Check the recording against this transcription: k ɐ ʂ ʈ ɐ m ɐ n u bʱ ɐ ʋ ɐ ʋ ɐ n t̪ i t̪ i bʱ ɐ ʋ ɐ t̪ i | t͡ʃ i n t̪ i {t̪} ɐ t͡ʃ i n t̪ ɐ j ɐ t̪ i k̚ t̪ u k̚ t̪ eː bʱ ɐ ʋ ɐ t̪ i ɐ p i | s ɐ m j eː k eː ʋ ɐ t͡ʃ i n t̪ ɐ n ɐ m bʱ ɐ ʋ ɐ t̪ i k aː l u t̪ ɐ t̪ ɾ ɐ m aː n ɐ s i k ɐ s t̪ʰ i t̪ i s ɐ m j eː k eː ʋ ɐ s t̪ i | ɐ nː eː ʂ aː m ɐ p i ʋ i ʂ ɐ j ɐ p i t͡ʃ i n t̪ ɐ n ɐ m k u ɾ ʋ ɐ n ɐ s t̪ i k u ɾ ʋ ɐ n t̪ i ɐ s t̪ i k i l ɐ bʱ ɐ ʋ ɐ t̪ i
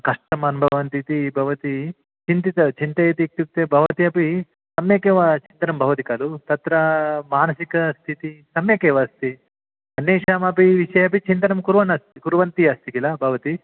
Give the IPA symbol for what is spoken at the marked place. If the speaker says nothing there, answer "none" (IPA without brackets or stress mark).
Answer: t̪